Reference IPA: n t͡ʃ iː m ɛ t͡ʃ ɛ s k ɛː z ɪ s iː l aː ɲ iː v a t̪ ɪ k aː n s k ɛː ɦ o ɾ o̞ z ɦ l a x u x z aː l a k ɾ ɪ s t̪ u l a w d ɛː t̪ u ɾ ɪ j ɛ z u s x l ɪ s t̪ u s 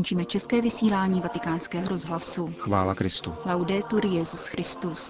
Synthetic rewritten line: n t͡ʃ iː m ɛ t͡ʃ ɛ s k ɛː v ɪ s iː l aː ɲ iː v a t̪ ɪ k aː n s k ɛː ɦ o ɾ o̞ z ɦ l a s u x v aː l a k ɾ ɪ s t̪ u l a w d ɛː t̪ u ɾ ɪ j ɛ z u s x ɾ ɪ s t̪ u s